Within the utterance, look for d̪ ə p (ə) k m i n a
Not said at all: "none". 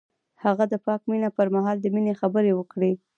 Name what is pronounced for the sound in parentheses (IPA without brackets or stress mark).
ɑ